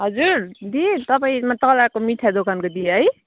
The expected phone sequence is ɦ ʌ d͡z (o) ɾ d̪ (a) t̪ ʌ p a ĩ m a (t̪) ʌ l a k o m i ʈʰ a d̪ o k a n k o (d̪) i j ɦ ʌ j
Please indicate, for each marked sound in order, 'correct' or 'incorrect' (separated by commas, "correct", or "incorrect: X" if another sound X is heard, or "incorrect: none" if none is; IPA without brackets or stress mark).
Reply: incorrect: u, incorrect: i, correct, correct